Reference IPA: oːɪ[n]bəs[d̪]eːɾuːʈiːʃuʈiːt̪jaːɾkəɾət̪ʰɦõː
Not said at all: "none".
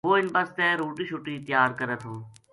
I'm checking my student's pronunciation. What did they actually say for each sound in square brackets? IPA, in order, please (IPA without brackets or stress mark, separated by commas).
n, t̪